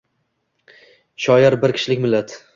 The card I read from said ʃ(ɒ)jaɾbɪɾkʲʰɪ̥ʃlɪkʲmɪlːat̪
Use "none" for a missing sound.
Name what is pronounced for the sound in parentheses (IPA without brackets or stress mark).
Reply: ɒ